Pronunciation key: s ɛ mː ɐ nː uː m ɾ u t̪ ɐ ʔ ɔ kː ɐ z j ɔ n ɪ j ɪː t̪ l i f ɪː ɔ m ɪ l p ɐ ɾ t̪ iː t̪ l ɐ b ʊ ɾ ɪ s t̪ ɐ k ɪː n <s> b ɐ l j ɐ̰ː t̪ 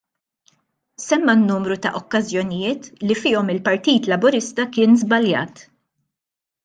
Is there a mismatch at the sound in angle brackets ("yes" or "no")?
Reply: yes